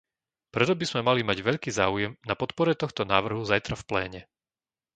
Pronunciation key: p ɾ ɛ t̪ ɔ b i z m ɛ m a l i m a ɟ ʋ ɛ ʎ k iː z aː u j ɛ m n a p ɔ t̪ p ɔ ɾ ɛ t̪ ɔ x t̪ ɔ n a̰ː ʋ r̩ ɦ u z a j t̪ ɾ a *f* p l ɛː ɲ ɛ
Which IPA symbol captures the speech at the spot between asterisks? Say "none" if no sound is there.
f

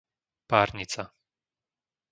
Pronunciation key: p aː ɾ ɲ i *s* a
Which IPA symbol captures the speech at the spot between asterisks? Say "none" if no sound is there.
t͡s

